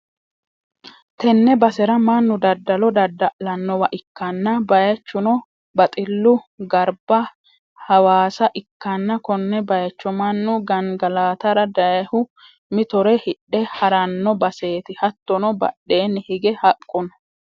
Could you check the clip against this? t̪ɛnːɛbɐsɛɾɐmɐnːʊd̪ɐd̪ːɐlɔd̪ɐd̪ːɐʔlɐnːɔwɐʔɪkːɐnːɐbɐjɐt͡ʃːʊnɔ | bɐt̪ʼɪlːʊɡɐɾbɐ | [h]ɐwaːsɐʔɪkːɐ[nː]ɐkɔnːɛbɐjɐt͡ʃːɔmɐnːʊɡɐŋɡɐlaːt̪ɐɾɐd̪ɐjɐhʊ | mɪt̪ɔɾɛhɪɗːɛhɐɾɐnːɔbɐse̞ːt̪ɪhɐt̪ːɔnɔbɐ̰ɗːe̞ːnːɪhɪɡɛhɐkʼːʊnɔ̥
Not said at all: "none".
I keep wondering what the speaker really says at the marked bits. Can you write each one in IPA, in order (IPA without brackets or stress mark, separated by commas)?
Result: h, nː